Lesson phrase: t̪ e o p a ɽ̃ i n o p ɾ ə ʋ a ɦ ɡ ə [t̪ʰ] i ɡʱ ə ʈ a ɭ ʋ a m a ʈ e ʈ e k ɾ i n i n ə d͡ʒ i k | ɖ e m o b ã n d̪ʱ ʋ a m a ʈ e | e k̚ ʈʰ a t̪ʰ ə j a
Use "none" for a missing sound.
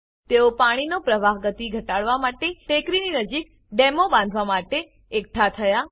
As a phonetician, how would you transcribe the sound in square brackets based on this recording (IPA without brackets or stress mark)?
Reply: t̪